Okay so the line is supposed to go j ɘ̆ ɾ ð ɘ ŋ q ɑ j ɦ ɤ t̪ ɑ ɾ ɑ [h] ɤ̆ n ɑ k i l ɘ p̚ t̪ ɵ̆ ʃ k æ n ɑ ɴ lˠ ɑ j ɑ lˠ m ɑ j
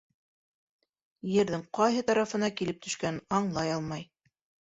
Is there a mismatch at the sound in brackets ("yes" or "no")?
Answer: yes